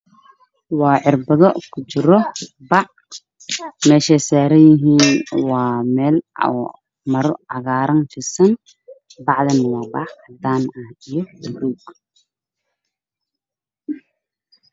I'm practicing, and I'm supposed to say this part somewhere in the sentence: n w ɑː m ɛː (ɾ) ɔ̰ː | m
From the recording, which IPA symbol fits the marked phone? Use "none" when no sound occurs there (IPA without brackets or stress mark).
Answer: l